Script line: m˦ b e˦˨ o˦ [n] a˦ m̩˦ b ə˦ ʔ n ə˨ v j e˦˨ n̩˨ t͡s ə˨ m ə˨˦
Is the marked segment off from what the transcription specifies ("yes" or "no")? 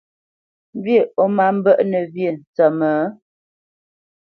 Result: yes